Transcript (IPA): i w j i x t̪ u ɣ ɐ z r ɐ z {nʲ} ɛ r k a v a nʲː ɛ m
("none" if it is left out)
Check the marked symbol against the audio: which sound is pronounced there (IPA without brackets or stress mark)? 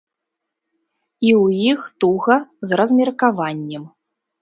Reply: mʲ